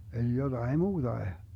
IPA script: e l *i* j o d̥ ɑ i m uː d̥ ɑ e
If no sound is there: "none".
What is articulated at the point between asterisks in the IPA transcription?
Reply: i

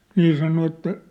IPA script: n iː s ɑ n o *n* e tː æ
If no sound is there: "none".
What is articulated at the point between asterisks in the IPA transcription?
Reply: none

